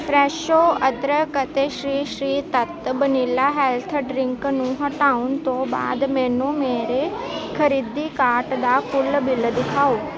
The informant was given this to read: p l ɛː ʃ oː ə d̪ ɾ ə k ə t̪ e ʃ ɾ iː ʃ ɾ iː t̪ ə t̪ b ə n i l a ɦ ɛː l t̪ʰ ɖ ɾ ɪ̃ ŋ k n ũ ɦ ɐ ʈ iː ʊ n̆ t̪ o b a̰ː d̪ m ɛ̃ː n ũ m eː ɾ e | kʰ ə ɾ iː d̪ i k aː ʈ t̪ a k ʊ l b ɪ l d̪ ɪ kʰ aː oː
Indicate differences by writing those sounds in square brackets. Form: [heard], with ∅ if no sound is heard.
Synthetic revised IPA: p [ɾ] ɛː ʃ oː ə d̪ ɾ ə k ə t̪ e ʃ ɾ iː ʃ ɾ iː t̪ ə t̪ b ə n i l a ɦ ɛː l t̪ʰ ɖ ɾ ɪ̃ ŋ k n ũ ɦ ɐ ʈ [aː] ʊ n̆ t̪ o b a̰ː d̪ m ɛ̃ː n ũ m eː ɾ e | kʰ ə ɾ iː d̪ i k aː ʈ [d̪] a k ʊ l b ɪ l d̪ ɪ kʰ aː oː